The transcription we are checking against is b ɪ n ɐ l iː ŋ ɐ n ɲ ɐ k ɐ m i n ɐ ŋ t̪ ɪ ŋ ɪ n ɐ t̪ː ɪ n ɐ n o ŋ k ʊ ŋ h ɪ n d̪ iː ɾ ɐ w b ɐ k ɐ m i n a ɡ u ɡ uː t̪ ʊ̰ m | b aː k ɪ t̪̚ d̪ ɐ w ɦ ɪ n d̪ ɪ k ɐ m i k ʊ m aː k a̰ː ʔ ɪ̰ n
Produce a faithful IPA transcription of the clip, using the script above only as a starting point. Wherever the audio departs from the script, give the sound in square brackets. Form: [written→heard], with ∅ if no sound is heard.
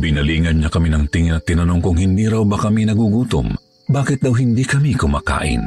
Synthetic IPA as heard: b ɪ n ɐ l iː ŋ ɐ n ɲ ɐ k ɐ m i n ɐ ŋ t̪ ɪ ŋ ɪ n ɐ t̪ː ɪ n ɐ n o ŋ k ʊ ŋ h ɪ n d̪ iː ɾ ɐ w b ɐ k ɐ m i n [a→ɐ] ɡ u ɡ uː t̪ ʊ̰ m | b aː k ɪ t̪̚ d̪ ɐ w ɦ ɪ n d̪ [ɪ→i] k ɐ m i k ʊ m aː k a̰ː ʔ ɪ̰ n